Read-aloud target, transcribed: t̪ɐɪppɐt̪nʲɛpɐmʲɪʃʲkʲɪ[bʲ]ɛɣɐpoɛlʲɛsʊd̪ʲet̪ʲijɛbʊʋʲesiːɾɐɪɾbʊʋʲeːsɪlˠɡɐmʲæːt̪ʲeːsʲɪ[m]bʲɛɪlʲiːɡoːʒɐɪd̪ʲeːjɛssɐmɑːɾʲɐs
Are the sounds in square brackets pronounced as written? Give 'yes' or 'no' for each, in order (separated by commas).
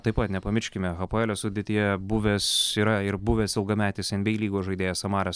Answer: no, no